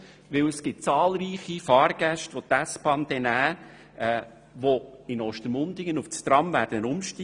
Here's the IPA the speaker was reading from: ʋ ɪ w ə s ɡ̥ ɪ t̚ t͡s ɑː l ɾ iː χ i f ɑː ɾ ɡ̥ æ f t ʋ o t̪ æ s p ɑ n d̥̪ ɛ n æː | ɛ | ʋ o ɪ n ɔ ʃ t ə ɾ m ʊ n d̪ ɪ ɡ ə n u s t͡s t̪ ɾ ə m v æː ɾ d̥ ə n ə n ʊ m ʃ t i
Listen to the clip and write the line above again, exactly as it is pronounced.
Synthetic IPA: ʋ ɪ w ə s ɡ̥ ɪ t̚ t͡s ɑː l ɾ iː χ i f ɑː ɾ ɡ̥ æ ʃ t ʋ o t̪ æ s p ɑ n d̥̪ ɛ n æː | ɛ | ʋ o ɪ n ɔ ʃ t ə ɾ m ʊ n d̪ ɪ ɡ ə n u f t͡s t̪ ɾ ɑ m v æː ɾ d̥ ə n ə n ʊ m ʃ t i